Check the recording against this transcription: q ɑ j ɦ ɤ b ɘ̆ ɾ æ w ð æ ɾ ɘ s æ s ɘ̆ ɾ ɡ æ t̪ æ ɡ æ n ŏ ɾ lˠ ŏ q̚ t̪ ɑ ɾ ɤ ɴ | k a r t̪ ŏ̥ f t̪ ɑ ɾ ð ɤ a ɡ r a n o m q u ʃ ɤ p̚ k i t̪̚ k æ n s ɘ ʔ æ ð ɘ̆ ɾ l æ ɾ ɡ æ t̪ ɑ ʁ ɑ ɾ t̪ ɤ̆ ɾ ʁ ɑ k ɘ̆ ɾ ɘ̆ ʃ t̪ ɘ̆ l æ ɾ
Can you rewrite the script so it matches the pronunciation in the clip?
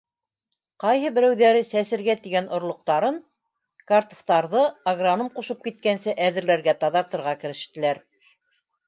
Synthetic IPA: q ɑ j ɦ ɤ b ɘ̆ ɾ æ w ð æ ɾ ɘ s æ s ɘ̆ ɾ ɡ æ t̪ i ɡ æ n ŏ ɾ lˠ ŏ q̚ t̪ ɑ ɾ ɤ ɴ | k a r t̪ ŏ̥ f t̪ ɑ ɾ ð ɤ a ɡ r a n o m q u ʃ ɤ p̚ k i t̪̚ k æ n s ɘ ʔ æ ð ɘ̆ ɾ l æ ɾ ɡ æ t̪ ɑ ð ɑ ɾ t̪ ɤ̆ ɾ ʁ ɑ k ɘ̆ ɾ ɘ̆ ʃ t̪ ɘ̆ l æ ɾ